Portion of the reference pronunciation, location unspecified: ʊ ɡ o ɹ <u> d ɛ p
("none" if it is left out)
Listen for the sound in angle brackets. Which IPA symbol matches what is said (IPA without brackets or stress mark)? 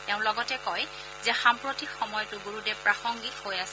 u